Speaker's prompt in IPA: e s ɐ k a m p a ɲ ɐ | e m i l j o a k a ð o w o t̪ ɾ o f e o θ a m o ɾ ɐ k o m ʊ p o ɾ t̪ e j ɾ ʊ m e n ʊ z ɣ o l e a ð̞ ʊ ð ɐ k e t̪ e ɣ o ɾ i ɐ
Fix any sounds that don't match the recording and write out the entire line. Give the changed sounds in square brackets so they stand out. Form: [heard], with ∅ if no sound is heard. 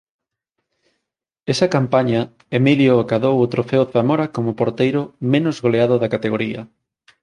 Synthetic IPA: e s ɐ k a m p a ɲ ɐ | e m i l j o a k a ð o w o t̪ ɾ o f e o θ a m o ɾ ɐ k o m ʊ p o ɾ t̪ e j ɾ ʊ m e n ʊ z ɣ o l e a ð̞ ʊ ð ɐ k [a] t̪ e ɣ o ɾ i ɐ